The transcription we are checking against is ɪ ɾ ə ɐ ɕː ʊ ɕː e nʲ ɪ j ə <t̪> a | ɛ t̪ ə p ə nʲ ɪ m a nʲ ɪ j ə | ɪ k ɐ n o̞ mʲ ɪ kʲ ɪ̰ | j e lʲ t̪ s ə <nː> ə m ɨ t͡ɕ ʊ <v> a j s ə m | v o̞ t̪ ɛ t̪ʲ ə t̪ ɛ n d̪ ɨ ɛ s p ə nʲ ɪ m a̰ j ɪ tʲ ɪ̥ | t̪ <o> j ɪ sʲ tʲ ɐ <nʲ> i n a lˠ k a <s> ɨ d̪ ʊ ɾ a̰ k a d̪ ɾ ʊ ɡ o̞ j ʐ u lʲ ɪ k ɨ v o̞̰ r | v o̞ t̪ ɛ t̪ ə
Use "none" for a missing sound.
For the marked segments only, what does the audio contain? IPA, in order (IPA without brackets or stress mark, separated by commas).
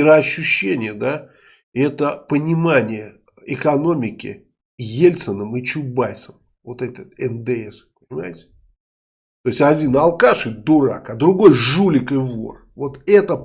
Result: d̪, n, b, o, dʲ, ʂ